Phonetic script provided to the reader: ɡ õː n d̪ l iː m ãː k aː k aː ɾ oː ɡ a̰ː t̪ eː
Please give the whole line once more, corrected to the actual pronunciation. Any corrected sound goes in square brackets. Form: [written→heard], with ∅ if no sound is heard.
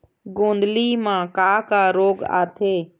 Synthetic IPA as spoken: ɡ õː n d̪ l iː m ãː k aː k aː ɾ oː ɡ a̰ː [t̪→t̪ʰ] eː

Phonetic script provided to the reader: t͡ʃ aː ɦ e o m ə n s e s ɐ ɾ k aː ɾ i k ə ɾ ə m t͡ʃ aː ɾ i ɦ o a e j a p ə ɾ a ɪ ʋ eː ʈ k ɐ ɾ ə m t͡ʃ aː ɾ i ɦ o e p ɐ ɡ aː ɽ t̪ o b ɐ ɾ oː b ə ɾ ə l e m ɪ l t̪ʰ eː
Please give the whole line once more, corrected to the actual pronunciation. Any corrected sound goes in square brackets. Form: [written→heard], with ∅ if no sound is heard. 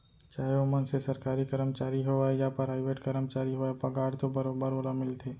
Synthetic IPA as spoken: t͡ʃ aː ɦ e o m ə n s e s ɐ ɾ k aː ɾ i k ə ɾ ə m t͡ʃ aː ɾ i ɦ o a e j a p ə ɾ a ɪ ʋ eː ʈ k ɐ ɾ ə m t͡ʃ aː ɾ i ɦ o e p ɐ ɡ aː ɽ t̪ o b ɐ ɾ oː b ə ɾ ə l [e→a] m ɪ l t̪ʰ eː

